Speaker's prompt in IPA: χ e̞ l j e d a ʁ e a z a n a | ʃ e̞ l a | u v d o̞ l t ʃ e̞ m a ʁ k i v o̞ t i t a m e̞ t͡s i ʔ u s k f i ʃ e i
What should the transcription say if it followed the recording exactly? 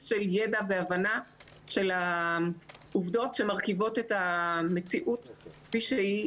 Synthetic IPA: ʃ e̞ l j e d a v e a v a n a | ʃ e̞ l a | u v d o̞ t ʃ e̞ m a ʁ k i v o̞ t e t a m e̞ t͡s i ʔ u t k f i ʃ e i